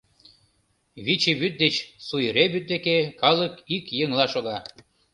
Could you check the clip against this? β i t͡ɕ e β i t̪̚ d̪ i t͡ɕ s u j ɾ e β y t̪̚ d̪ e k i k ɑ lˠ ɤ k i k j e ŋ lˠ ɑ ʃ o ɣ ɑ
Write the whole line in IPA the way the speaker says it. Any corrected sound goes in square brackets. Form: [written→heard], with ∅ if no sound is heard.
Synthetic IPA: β i t͡ɕ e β [i→y] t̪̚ d̪ [i→e] t͡ɕ s u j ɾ e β y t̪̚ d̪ e k [i→e] k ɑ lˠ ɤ k i k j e ŋ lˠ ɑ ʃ o ɣ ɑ